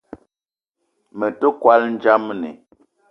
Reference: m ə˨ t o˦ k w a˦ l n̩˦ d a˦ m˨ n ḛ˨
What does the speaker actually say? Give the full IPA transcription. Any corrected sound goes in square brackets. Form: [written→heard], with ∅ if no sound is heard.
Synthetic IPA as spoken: m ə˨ t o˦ k w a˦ l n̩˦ [d→d͡ʒ] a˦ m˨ n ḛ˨